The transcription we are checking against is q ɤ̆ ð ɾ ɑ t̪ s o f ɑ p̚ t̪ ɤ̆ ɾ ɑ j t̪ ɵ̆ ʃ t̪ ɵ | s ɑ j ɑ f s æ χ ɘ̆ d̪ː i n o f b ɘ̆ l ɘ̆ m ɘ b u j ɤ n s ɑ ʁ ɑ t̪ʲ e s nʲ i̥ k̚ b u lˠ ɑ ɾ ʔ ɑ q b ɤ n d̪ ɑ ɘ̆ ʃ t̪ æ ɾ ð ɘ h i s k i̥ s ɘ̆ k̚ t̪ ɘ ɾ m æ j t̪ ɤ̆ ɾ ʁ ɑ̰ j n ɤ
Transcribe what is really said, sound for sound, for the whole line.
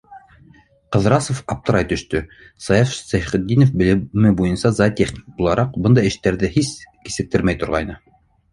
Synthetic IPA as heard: q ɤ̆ ð ɾ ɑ s o f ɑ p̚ t̪ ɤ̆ ɾ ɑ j t̪ ɵ̆ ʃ t̪ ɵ | s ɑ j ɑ f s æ χ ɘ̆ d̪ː i n o f b ɘ̆ l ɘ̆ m ɘ b u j ɤ n s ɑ z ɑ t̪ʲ e χ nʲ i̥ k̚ b u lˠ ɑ ɾ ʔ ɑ q b ɤ n d̪ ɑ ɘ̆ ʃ t̪ æ ɾ ð ɘ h i s k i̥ s ɘ̆ k̚ t̪ ɘ ɾ m æ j t̪ ŏ ɾ ʁ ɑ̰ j n ɤ